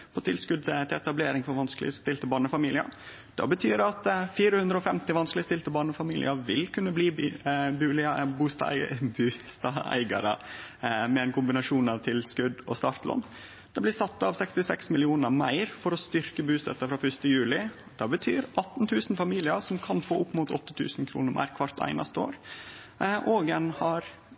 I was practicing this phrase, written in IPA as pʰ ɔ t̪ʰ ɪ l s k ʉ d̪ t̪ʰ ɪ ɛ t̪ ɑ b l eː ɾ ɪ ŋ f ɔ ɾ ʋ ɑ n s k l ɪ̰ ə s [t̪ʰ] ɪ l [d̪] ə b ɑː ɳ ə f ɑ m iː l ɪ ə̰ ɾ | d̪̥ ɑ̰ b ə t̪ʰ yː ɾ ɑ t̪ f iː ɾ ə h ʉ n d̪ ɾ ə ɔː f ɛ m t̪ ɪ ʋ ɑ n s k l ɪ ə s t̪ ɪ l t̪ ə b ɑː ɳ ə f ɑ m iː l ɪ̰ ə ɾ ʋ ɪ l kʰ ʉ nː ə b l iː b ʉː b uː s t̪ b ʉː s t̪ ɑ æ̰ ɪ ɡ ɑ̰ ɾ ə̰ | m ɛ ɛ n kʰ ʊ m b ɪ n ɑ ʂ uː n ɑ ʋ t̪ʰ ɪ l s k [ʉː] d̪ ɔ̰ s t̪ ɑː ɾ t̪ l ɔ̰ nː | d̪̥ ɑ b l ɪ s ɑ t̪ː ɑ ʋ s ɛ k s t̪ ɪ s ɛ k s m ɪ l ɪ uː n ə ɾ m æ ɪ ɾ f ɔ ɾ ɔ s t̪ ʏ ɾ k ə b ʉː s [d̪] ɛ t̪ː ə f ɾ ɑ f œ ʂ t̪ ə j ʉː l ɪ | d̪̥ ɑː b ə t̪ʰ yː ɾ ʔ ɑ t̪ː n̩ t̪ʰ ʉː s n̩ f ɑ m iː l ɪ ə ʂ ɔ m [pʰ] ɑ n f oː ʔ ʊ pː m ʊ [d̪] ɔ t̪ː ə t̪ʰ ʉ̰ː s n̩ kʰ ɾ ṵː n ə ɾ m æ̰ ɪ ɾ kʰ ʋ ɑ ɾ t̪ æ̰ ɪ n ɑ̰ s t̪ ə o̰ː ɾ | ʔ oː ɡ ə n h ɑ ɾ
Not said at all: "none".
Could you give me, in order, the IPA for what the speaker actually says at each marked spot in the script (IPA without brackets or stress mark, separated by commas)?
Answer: t̪, t̪, ʉ, t̪, kʰ, t̪